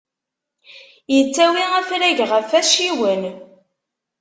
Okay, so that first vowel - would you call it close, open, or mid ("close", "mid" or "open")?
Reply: mid